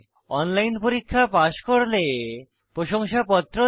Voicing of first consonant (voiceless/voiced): voiced